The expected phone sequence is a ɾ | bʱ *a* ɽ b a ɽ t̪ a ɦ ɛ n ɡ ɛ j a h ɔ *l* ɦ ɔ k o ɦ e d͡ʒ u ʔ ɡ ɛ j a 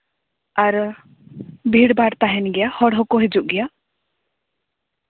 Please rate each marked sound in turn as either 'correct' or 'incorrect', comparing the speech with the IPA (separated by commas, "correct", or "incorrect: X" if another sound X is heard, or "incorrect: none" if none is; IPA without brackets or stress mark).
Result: incorrect: i, incorrect: ɽ